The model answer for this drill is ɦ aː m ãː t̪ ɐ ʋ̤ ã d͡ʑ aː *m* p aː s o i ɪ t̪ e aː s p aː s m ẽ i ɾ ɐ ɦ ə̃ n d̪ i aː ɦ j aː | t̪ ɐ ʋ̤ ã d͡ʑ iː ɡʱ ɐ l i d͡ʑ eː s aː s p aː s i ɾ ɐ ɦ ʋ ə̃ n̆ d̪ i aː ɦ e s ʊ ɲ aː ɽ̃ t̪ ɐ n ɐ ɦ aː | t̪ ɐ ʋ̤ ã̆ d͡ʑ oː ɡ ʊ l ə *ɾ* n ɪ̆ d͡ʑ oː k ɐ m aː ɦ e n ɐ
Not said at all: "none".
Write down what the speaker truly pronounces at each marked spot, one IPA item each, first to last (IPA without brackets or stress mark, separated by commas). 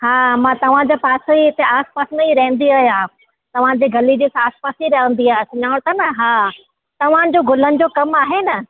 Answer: none, none